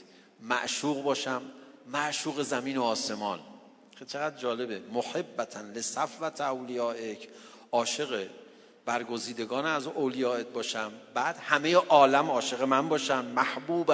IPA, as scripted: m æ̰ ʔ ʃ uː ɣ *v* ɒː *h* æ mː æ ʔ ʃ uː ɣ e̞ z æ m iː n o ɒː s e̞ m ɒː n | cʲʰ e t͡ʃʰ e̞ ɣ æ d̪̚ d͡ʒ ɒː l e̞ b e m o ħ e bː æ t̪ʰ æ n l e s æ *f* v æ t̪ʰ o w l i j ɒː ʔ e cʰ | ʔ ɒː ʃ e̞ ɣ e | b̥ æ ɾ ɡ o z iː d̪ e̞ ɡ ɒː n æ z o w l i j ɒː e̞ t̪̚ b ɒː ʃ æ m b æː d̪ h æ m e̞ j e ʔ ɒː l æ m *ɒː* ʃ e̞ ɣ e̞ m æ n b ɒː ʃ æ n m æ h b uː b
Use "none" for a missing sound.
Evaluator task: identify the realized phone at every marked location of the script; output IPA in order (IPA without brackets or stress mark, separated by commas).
b, ʃ, f, ɒː